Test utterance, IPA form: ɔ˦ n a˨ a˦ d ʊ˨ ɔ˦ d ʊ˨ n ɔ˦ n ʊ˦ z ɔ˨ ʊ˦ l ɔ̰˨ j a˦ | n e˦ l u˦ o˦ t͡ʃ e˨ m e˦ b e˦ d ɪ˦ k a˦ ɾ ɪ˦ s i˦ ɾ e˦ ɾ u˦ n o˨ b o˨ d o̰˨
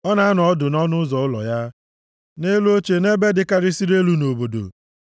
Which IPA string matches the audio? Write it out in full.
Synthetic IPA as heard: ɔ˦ n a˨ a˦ n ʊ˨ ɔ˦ d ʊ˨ n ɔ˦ n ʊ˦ z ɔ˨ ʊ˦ l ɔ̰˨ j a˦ | n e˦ l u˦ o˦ t͡ʃ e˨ n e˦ b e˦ d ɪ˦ k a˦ ɾ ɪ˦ s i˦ ɾ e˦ l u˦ n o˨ b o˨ d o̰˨

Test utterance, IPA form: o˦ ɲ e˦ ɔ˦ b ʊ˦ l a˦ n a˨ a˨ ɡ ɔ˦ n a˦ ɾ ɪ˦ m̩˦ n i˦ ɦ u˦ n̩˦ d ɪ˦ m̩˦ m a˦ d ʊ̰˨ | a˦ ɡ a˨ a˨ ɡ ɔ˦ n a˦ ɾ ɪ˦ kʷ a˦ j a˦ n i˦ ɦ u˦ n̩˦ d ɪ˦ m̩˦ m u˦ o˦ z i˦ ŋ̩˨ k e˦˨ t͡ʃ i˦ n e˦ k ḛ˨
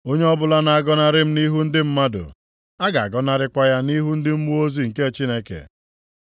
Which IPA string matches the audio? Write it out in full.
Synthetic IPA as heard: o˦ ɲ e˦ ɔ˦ b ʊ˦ l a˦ n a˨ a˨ ɡ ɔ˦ n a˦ ɾ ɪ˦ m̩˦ n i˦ ɦ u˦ n̩˦ d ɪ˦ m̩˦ m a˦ d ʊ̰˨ | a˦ ɡ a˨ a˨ ɡ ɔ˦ n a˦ ɾ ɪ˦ kʷ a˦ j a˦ n i˦ ɦ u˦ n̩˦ d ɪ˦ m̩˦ m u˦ o˦ z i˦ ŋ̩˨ k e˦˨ t͡ʃ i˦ n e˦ k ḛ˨

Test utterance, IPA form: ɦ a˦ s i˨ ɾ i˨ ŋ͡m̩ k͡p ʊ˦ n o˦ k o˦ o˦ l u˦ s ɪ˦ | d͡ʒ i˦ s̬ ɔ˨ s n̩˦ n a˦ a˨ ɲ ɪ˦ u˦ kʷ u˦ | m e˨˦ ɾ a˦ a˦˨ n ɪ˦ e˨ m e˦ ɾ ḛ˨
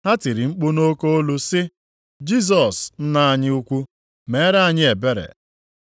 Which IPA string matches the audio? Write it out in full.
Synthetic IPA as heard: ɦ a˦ t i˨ ɾ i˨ ŋ͡m̩ k͡p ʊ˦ n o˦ k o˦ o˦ l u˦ s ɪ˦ | d͡ʒ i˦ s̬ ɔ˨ s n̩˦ n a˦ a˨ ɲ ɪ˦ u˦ kʷ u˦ | m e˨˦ ɾ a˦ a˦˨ ɲ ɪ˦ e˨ b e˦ ɾ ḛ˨

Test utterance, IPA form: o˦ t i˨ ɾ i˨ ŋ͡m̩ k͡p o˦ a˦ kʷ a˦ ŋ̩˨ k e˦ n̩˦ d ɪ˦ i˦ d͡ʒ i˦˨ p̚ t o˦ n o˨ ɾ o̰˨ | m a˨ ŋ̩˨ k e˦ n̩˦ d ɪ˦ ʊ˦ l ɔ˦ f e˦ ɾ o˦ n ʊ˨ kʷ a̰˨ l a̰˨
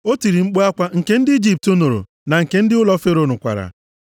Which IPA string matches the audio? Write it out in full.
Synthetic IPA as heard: o˦ t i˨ ɾ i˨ ŋ͡m̩ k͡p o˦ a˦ kʷ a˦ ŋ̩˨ k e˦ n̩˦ d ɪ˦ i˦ d͡ʒ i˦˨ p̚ t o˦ n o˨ ɾ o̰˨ | n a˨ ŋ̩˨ k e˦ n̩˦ d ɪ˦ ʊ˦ l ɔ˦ f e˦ ɾ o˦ n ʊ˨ kʷ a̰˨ ɾ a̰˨

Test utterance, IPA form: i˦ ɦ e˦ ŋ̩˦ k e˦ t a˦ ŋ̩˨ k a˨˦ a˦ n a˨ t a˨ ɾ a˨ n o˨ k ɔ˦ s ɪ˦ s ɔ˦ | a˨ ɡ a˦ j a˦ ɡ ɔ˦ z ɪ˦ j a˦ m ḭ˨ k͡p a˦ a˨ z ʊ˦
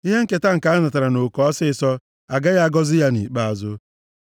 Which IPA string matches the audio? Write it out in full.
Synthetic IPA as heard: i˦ ɦ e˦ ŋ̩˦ k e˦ t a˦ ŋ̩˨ k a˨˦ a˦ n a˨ t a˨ ɾ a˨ n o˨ k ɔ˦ s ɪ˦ s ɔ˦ | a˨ ɡ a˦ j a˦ ɡ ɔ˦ z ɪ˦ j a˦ n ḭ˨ k͡p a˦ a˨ z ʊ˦

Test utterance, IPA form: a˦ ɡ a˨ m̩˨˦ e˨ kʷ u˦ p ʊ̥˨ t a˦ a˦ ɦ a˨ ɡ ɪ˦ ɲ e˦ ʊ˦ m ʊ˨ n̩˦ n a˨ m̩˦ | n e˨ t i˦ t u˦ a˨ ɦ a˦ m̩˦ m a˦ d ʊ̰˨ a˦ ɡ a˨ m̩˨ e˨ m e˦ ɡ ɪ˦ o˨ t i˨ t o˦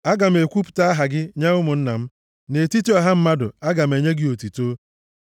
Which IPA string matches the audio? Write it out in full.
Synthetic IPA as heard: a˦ ɡ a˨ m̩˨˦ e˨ kʷ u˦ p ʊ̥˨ t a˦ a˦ ɦ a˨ ɡ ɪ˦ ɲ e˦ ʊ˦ m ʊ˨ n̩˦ n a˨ m̩˦ | n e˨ t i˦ t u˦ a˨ ɦ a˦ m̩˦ m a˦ d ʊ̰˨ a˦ ɡ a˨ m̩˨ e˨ ɲ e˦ ɡ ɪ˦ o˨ t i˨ t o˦

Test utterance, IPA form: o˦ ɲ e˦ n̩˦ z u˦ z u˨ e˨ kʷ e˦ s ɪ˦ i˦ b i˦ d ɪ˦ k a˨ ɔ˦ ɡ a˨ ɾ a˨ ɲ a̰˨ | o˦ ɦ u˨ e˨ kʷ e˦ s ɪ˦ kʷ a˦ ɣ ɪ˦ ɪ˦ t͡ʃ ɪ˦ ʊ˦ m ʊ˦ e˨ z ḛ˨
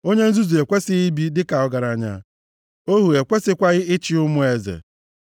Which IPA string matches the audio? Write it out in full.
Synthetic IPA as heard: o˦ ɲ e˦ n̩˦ z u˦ z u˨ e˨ kʷ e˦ s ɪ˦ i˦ b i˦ d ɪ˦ k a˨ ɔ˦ ɡ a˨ ɾ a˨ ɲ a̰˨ | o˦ ɦ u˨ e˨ kʷ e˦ s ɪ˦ kʷ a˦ ɣ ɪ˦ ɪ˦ t͡ʃ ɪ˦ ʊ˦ m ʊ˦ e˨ z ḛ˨

